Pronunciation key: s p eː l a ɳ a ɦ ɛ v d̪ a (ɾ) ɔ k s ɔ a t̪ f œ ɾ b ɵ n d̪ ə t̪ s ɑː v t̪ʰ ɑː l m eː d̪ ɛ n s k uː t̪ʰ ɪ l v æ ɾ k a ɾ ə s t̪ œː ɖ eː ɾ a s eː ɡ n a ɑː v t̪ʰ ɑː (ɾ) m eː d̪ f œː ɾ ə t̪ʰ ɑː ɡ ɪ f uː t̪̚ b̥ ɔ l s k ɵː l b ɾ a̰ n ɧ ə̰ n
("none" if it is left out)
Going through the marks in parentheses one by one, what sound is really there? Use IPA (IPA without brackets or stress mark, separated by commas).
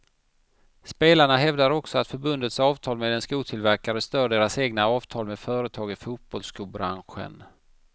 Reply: ɾ, l